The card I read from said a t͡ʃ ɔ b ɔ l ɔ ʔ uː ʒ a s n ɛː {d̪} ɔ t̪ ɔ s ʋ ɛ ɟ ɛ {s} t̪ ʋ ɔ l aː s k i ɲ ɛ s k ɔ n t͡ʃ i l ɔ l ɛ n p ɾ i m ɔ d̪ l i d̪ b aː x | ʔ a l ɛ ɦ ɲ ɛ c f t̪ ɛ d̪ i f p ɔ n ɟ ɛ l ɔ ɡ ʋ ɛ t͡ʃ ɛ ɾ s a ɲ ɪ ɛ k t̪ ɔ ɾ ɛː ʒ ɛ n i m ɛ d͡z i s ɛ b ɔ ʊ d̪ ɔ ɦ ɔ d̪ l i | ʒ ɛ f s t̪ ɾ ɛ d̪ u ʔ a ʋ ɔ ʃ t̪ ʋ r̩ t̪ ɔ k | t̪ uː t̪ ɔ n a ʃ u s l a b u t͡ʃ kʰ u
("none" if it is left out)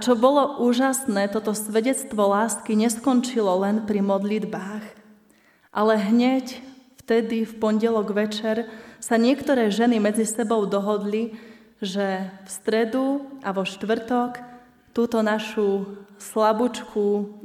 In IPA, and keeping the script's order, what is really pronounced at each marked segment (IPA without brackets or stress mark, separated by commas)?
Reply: t̪, t͡s